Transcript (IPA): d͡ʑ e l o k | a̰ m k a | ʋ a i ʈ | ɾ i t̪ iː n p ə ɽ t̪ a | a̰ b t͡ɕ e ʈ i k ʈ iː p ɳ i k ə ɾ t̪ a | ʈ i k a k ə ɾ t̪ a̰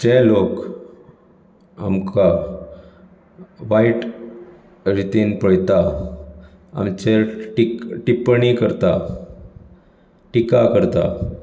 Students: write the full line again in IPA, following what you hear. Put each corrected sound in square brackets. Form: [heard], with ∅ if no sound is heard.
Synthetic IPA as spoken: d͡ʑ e l o k | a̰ m k a | ʋ a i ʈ | ɾ i t̪ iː n p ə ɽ t̪ a | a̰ [m] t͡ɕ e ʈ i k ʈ [i] p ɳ i k ə ɾ t̪ a | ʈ i k a k ə ɾ t̪ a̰